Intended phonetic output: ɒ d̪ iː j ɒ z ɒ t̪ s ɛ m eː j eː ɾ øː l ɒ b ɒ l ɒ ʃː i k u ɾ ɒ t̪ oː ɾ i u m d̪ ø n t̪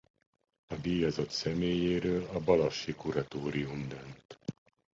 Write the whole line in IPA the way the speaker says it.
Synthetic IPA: ɒ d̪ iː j ɒ z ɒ t̪ s ɛ m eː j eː ɾ øː l ɒ b ɒ l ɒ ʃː i k u ɾ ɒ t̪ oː ɾ i u m d̪ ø n t̪